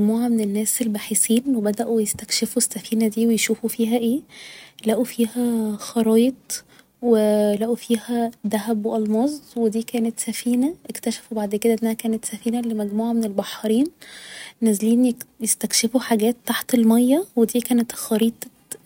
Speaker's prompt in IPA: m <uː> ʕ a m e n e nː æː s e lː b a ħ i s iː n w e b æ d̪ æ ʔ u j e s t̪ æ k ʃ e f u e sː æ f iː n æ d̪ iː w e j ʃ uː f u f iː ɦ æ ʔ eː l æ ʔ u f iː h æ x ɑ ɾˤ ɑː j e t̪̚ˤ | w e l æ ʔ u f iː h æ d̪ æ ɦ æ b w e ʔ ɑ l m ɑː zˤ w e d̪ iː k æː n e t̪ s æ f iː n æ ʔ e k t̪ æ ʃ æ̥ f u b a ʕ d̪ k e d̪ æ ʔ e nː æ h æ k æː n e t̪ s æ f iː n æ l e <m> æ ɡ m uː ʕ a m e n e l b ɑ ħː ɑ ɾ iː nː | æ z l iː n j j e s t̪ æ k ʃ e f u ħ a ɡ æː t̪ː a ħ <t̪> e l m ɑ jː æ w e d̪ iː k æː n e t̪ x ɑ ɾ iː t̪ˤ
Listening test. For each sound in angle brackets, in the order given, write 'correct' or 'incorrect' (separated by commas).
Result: correct, correct, correct